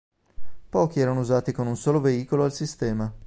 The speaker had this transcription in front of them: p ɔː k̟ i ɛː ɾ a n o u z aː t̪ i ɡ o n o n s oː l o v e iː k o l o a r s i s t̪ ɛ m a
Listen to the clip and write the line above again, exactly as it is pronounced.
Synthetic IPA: p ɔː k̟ i ɛː ɾ a n o u z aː t̪ i k o n u n s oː l o v e iː k o l o a l s i s t̪ ɛː m a